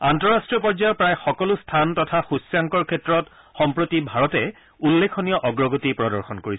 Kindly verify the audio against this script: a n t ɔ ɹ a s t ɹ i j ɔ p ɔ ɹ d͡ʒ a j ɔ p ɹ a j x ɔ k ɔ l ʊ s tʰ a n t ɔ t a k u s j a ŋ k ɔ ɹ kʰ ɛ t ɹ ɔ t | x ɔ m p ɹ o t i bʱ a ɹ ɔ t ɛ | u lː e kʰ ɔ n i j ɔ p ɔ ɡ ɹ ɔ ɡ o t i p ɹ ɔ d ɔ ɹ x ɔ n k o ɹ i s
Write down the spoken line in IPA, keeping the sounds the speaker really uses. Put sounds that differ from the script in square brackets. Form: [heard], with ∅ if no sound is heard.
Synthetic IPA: a n t ɔ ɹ a s t ɹ i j ɔ p ɔ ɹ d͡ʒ a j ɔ p ɹ a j x ɔ k ɔ l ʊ s tʰ a n t ɔ [tʰ] a [x] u s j a ŋ k ɔ ɹ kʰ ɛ t ɹ ɔ t | x ɔ m p ɹ o t i bʱ a ɹ ɔ t ɛ | u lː e kʰ ɔ n i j ɔ [ʔ] ɔ ɡ ɹ ɔ ɡ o t i p ɹ ɔ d ɔ ɹ x ɔ n k o ɹ i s